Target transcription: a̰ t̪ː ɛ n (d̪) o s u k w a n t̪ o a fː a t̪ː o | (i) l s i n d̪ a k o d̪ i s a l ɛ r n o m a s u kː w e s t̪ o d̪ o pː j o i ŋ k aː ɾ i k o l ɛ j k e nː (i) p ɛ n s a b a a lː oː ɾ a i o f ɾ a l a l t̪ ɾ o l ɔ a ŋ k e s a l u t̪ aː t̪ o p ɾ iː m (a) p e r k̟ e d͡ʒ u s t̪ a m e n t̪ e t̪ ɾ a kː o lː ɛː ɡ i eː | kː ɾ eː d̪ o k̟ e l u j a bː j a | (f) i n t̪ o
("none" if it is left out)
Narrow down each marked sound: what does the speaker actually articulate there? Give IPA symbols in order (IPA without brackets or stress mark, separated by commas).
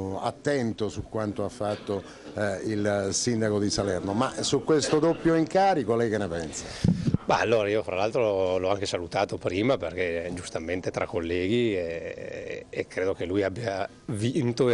t̪, i, e, a, v